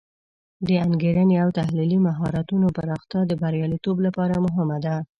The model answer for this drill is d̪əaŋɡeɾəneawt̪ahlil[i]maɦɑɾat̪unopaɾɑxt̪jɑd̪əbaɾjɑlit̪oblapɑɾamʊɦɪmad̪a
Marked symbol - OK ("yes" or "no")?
yes